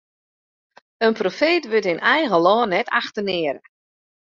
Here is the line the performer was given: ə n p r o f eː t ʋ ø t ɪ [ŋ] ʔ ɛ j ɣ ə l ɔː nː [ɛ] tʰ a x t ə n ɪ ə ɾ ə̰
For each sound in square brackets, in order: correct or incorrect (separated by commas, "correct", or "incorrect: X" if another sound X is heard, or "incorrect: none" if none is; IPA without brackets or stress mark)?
incorrect: n, correct